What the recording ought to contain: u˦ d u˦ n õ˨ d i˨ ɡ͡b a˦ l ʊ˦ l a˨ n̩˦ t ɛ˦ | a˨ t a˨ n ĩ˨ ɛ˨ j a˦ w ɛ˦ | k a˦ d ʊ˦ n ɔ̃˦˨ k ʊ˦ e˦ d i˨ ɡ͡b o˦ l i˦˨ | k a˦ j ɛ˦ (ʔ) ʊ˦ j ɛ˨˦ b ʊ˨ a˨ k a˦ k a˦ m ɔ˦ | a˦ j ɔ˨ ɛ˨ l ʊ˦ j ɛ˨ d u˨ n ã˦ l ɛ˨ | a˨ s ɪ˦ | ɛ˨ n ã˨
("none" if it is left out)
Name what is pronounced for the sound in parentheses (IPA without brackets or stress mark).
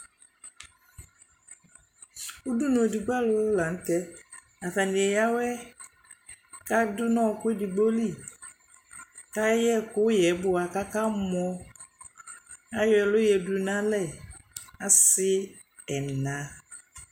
k